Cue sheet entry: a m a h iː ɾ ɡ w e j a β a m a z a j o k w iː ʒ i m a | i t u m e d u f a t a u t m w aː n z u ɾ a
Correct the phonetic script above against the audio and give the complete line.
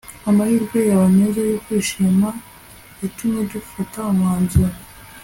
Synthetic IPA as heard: a m a h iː ɾ ɡ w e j a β a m e z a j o k w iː ʃ i m a | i t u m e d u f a t a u m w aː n z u ɾ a